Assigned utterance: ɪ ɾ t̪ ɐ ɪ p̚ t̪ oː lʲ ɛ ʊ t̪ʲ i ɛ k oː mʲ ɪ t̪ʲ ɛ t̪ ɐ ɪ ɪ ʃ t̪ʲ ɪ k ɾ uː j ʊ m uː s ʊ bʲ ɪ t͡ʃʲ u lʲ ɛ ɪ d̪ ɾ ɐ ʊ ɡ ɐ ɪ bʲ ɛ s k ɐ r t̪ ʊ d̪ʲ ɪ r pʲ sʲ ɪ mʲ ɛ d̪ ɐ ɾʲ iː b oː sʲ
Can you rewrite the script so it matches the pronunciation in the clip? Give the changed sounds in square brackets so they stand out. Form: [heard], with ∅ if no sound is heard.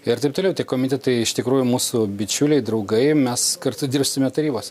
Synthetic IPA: ɪ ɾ t̪ ɐ ɪ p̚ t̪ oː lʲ ɛ ʊ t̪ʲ i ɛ k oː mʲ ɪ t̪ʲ ɛ t̪ ɐ ɪ ɪ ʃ t̪ʲ ɪ k ɾ uː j ʊ m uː s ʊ bʲ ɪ t͡ʃʲ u lʲ ɛ ɪ d̪ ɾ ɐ ʊ ɡ ɐ ɪ [mʲ] ɛ s k ɐ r t̪ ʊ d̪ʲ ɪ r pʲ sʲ ɪ mʲ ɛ [t̪] ɐ ɾʲ iː b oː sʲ